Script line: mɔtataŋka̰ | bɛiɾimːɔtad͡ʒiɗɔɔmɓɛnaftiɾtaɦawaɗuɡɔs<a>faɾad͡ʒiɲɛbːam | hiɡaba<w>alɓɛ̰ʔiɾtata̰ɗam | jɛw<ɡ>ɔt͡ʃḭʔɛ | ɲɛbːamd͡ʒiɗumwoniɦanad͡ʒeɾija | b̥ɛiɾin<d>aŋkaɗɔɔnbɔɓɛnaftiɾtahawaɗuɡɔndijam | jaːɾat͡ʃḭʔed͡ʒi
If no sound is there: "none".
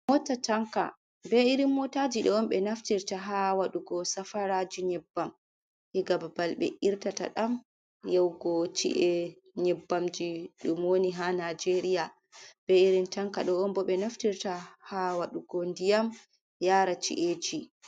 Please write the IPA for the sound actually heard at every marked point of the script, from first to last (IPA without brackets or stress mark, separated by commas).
a, b, ɡ, t